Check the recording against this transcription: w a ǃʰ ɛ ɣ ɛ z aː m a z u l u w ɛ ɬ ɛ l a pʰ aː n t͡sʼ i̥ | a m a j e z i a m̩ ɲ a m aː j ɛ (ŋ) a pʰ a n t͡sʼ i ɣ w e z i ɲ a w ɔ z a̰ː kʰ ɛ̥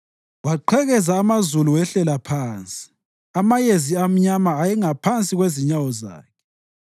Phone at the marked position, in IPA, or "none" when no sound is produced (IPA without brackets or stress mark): ŋ